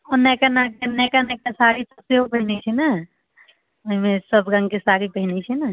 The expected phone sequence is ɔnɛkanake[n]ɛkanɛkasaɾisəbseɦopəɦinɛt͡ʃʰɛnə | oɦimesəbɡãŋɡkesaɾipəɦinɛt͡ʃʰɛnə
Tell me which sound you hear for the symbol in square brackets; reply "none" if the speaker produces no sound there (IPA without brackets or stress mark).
n